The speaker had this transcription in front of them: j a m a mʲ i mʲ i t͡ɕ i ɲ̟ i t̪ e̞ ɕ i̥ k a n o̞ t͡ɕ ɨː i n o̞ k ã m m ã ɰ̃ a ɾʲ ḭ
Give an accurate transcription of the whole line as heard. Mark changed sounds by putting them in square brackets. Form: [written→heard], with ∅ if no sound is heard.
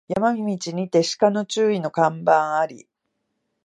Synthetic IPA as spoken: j a m a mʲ i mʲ i t͡ɕ i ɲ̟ i t̪ e̞ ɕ i̥ k a n o̞ t͡ɕ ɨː i n o̞ k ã m [m→b] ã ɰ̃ a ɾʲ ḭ